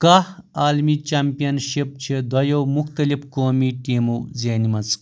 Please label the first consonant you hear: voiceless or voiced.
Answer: voiceless